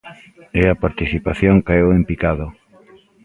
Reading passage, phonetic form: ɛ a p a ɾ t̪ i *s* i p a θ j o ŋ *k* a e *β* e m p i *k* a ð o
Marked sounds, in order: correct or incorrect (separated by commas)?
incorrect, correct, incorrect, correct